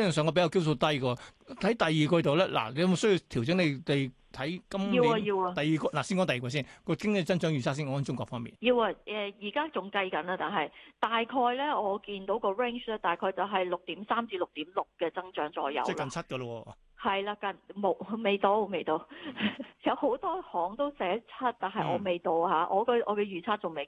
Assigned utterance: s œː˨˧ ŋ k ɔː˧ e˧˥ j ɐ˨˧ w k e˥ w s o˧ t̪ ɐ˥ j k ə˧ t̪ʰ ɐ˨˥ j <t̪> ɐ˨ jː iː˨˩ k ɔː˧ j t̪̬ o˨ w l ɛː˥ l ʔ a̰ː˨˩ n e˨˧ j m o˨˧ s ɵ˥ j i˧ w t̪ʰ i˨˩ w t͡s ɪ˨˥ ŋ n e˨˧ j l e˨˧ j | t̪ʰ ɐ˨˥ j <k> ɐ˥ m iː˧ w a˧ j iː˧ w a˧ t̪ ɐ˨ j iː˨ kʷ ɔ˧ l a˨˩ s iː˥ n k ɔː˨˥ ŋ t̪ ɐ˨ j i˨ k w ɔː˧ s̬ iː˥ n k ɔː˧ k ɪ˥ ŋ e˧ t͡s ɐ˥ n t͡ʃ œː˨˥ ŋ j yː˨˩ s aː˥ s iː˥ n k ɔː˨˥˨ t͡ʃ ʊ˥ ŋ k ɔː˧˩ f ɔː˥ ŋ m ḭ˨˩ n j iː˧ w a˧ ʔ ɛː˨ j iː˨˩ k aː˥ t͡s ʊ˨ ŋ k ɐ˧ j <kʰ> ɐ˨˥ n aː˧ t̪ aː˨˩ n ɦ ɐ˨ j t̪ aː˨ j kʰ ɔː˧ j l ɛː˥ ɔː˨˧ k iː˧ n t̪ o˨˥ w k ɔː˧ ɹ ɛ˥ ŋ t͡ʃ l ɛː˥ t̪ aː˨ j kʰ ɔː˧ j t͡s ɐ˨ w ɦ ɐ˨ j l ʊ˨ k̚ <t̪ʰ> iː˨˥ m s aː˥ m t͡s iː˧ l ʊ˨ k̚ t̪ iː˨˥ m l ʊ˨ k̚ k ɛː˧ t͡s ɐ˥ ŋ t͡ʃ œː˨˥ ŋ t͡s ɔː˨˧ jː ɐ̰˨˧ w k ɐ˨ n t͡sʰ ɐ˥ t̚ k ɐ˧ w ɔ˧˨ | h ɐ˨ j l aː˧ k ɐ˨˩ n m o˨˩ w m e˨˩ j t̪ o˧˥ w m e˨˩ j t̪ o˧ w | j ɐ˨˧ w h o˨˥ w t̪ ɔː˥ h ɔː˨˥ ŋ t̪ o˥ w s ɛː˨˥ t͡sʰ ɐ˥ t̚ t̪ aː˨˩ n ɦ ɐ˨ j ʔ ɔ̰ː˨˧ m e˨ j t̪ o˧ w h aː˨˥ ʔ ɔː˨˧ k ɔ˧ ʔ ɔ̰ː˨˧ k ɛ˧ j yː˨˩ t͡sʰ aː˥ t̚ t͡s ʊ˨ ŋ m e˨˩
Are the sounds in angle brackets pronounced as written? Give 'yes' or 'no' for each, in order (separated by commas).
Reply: yes, yes, no, no